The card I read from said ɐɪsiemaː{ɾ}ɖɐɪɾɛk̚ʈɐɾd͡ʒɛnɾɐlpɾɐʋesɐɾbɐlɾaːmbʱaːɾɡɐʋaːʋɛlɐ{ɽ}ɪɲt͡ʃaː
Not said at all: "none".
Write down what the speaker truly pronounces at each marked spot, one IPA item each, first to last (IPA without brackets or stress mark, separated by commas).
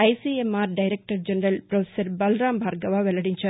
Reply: ɾ, ɽ